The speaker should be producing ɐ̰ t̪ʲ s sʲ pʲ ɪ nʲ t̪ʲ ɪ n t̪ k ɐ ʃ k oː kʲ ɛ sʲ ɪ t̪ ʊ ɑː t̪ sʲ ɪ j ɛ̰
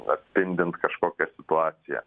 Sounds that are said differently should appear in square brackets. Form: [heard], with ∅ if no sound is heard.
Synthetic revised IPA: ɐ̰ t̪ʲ s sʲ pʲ ɪ nʲ [d̪ʲ] ɪ n t̪ k ɐ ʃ k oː kʲ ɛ sʲ ɪ t̪ ʊ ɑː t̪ sʲ ɪ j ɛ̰